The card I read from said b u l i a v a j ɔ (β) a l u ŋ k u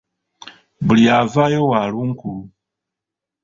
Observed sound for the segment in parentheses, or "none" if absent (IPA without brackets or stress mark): w